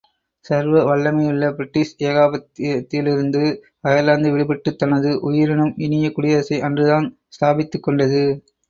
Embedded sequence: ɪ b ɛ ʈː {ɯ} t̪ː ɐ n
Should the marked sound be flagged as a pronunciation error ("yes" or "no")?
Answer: no